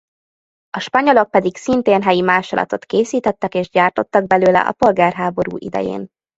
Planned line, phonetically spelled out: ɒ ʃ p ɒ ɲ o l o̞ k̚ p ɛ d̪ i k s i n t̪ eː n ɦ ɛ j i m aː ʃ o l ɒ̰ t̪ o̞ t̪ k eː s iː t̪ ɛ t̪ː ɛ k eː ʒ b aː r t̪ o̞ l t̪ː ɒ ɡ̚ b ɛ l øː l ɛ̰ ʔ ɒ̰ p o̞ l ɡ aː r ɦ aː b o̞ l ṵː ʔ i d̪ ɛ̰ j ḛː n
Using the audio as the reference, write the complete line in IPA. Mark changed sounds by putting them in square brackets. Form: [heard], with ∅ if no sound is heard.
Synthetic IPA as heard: ɒ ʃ p ɒ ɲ o l o̞ k̚ p ɛ d̪ i k s i n t̪ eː n ɦ ɛ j i m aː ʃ o l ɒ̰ t̪ o̞ t̪ k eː s iː t̪ ɛ t̪ː ɛ k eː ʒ [ɟ] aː r t̪ o̞ [∅] t̪ː ɒ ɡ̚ b ɛ l øː l ɛ̰ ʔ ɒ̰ p o̞ l ɡ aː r ɦ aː b o̞ [ɾ] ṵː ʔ i d̪ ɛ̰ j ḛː n